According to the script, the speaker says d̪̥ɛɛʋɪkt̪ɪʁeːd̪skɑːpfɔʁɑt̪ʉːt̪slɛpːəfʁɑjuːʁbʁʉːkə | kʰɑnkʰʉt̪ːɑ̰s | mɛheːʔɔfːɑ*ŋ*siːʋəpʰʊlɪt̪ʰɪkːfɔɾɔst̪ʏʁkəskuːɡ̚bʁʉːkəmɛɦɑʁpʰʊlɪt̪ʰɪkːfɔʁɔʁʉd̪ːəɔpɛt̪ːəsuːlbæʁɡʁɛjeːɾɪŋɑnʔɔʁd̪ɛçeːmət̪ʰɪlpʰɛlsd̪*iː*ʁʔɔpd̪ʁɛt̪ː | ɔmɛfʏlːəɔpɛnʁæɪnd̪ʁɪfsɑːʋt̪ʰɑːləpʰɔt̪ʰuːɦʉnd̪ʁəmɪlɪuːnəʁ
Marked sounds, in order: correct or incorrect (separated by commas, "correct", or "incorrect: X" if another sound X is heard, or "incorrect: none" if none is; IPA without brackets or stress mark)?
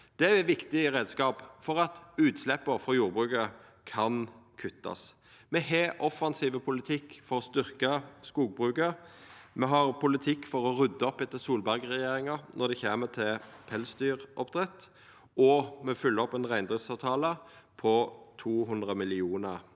incorrect: n, incorrect: yː